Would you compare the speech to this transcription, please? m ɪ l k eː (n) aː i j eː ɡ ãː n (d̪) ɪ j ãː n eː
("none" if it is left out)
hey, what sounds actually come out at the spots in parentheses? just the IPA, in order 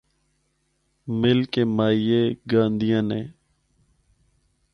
m, d̪

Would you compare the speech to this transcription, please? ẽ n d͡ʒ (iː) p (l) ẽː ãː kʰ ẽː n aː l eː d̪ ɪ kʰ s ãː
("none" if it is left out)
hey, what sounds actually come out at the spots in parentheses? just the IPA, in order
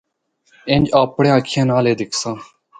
aː, ɽ

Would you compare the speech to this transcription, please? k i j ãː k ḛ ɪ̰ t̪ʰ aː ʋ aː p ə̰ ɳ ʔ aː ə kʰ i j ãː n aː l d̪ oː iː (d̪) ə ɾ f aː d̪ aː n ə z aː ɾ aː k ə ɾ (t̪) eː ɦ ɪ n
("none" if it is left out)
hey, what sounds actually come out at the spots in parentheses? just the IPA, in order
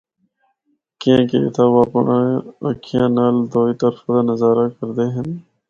t̪, d̪

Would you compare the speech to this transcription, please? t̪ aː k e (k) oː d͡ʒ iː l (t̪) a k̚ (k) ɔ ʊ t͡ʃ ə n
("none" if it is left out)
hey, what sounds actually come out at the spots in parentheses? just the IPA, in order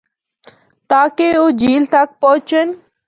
none, t̪, p

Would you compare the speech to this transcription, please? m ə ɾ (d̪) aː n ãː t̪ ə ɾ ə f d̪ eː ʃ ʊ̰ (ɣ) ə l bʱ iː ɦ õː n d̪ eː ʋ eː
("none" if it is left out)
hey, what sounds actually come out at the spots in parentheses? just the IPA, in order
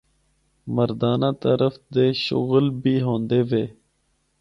d̪, ɣ

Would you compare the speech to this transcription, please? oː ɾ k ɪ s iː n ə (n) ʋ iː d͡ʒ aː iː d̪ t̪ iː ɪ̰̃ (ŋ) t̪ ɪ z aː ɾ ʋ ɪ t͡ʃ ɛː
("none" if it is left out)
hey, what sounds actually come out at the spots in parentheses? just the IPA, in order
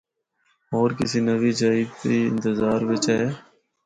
none, n

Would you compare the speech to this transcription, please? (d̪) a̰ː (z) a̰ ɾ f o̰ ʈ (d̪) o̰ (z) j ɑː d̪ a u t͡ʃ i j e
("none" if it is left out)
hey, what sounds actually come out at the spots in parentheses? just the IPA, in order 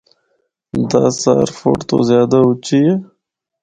d̪, s, t̪, z

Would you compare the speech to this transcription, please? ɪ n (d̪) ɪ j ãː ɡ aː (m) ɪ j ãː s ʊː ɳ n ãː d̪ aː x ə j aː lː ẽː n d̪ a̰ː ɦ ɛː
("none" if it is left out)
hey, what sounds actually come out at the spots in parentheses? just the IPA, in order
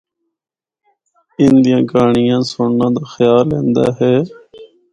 d̪, ɳ

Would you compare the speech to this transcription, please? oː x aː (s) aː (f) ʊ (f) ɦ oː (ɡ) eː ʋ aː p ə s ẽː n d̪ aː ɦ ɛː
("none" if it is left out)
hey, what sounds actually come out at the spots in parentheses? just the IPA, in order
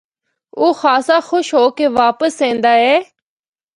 s, x, ʃ, k

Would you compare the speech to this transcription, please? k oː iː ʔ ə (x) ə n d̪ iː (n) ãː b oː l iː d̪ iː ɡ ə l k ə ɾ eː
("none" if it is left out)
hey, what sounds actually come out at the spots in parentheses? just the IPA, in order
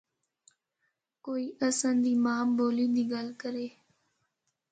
s, m

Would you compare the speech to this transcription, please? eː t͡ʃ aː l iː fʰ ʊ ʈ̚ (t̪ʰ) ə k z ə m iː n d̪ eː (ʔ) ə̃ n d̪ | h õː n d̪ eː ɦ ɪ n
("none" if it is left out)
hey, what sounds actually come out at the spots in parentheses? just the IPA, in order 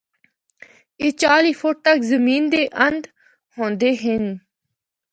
t̪, ʔ

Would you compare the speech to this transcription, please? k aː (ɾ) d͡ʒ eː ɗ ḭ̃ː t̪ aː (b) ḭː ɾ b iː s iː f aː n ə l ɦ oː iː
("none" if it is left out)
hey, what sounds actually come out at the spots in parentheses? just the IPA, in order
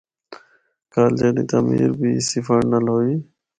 l, m

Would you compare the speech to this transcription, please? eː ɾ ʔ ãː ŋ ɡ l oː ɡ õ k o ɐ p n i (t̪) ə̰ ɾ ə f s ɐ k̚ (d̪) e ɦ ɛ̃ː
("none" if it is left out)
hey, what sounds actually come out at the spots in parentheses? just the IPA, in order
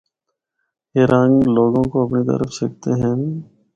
t̪, t̪

